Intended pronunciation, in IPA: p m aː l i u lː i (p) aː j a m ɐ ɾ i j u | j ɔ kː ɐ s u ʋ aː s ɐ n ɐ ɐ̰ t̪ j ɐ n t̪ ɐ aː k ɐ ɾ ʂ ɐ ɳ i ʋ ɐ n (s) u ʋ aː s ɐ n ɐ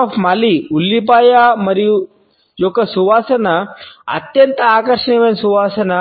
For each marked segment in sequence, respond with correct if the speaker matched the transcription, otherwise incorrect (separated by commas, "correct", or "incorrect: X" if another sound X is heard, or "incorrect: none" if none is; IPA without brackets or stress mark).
correct, correct